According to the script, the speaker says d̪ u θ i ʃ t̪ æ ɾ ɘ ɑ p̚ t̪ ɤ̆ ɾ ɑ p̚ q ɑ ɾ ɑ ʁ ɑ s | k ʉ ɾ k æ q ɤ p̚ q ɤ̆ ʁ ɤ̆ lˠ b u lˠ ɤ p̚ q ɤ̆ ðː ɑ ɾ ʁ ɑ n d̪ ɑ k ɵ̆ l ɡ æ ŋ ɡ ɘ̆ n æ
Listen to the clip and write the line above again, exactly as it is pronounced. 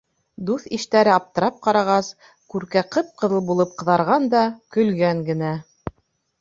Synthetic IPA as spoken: d̪ u θ i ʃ t̪ æ ɾ ɘ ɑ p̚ t̪ ɤ̆ ɾ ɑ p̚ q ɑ ɾ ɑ ʁ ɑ s | k ʉ ɾ k æ q ɤ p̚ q ɤ̆ ð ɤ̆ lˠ b u lˠ ɤ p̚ q ɤ̆ ð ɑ ɾ ʁ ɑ n d̪ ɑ k ɵ̆ l ɡ æ ŋ ɡ ɘ̆ n æ